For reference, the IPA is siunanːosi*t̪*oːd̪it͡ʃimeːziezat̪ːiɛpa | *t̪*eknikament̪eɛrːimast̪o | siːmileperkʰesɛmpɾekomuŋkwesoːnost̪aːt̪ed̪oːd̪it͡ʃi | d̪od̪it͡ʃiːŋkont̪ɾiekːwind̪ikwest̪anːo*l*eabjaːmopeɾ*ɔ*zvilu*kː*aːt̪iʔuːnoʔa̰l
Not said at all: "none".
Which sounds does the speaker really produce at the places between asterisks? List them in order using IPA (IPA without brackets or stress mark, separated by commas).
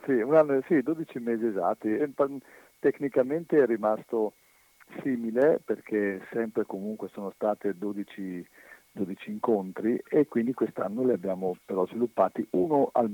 d̪, t̪, l, ɔ, pː